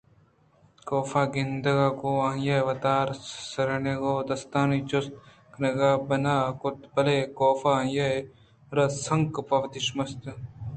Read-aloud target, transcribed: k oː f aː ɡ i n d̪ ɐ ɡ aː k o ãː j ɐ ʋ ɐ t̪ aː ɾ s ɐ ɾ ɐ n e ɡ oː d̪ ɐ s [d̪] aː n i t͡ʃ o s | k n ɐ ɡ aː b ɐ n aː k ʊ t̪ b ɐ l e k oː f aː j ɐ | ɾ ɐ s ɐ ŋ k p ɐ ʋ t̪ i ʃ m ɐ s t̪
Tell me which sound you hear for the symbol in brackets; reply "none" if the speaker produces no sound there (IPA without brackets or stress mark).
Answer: t̪